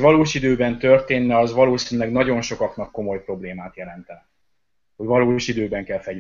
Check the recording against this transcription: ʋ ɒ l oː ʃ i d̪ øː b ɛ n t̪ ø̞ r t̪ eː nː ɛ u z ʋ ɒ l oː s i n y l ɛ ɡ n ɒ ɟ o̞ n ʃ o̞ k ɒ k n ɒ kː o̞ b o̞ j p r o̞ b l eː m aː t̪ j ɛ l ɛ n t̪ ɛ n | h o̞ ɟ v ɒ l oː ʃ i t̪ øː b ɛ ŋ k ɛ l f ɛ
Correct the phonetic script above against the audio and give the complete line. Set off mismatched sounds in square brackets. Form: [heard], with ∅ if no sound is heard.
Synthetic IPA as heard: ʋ ɒ l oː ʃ i d̪ øː b ɛ n t̪ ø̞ r t̪ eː nː ɛ [ɒ] z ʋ ɒ l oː s i n y l ɛ ɡ n ɒ ɟ o̞ n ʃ o̞ k ɒ k n ɒ kː o̞ [m] o̞ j p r o̞ b l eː m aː t̪ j ɛ l ɛ n t̪ ɛ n | h o̞ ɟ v ɒ l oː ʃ i [d̪] øː b ɛ ŋ k ɛ l f ɛ